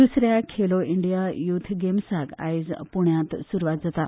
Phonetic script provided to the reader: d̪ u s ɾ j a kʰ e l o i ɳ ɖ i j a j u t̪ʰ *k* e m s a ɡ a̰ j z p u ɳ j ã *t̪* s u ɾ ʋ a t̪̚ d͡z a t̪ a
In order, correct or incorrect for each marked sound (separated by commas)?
incorrect, correct